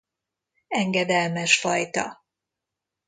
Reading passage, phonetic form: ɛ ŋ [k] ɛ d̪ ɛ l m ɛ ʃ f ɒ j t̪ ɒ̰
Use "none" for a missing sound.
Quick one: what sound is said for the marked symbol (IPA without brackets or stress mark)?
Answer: ɡ